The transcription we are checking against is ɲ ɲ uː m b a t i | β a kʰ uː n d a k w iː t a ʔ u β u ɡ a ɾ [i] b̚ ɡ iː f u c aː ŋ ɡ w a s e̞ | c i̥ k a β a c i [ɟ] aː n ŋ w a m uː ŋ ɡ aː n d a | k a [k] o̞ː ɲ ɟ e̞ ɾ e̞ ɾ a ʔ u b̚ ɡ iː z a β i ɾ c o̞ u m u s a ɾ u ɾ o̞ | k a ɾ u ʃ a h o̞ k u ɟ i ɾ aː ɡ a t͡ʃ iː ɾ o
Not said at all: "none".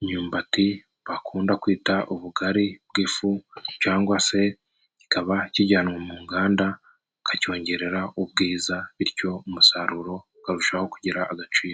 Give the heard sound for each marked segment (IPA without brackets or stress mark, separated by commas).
i, ɟ, c